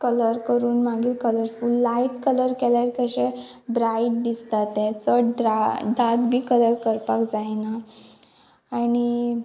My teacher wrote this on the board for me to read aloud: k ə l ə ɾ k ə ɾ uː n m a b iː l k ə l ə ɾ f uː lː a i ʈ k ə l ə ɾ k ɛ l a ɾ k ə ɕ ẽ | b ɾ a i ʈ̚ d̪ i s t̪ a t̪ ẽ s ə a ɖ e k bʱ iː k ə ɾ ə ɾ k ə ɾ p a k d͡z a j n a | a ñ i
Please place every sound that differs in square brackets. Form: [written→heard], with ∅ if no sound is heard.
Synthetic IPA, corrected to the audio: k ə l ə ɾ k ə ɾ uː n m a [b→ɡ] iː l k ə l ə ɾ f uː lː a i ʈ k ə l ə ɾ k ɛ l a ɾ k ə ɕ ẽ | b ɾ a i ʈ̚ d̪ i s t̪ a t̪ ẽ [s→t͡s] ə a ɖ [e→a] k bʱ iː k ə [ɾ→l] ə ɾ k ə ɾ p a k d͡z a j n a | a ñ i

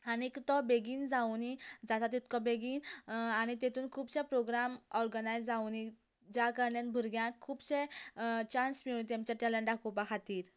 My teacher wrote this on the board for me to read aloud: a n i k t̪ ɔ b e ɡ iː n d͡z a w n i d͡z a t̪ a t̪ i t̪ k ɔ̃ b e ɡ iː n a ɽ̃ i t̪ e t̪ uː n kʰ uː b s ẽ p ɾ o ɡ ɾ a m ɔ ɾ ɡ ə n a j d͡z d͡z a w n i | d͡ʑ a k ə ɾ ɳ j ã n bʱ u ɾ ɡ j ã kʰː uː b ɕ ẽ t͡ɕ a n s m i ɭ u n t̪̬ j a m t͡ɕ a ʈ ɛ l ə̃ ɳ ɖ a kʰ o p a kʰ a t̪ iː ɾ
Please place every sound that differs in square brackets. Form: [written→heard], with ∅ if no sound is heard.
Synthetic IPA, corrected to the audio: a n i k t̪ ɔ b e ɡ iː n d͡z a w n i d͡z a t̪ a t̪ i t̪ k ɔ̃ b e ɡ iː n a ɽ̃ i t̪ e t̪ uː n kʰ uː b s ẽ p ɾ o ɡ ɾ a m ɔ ɾ ɡ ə n a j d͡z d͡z a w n i | d͡ʑ a k ə ɾ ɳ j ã n bʱ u ɾ ɡ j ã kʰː uː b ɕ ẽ t͡ɕ a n s m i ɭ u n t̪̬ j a m t͡ɕ a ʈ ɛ l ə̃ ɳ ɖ a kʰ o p a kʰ a t̪ iː ɾ

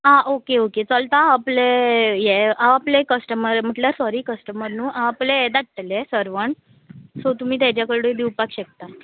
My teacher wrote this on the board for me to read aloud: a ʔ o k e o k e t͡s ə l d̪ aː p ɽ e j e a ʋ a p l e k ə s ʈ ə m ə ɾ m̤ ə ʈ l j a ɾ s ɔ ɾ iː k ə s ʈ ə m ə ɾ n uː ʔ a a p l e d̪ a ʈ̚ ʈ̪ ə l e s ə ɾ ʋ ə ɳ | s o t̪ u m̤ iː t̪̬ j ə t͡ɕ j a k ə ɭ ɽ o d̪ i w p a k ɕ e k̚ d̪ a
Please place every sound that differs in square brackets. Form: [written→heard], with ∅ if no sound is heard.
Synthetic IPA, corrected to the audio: a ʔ o k e o k e t͡s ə l [d̪→t̪] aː p [ɽ→l] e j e a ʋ a p l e k ə s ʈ ə m ə ɾ m̤ ə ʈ l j a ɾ s ɔ ɾ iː k ə s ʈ ə m ə ɾ n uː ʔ a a p l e d̪ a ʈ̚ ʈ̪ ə l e s ə ɾ ʋ ə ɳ | s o t̪ u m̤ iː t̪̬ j [ə→a] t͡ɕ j a k ə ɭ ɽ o d̪ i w p a k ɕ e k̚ [d̪→t̪] a

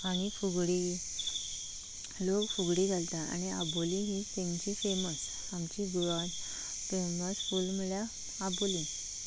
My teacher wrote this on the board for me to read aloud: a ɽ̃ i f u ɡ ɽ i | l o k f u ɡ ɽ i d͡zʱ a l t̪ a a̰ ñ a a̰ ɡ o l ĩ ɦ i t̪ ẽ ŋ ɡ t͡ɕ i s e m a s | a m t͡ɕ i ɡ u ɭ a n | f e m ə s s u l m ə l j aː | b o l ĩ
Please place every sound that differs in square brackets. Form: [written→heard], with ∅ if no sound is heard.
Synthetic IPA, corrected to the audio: a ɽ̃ i f u ɡ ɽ i | l o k f u ɡ ɽ i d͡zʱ a l t̪ a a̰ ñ [a→i] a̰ [ɡ→b] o l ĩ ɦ i t̪ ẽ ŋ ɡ t͡ɕ i [s→f] e m [a→ə] s | a m t͡ɕ i ɡ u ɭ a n | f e m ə s [s→f] u l m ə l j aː | b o l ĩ

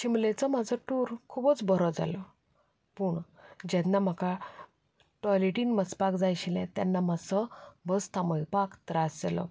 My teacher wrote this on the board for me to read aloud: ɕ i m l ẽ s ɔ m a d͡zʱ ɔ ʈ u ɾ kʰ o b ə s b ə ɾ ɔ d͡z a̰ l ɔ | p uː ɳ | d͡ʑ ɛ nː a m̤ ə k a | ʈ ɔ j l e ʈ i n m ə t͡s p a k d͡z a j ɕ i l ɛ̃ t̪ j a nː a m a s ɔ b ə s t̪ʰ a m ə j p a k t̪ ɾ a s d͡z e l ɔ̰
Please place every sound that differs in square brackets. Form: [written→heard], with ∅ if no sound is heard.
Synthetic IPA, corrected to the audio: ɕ i m l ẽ [s→t͡s] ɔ m a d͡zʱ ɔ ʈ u ɾ kʰ [o→u] b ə [s→t͡s] b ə ɾ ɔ d͡z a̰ l ɔ | p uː ɳ | d͡ʑ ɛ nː a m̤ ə k a | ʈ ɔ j l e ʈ i n m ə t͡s p a k d͡z a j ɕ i l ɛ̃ t̪ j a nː a m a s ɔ b ə s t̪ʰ a m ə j p a k t̪ ɾ a s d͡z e l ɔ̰

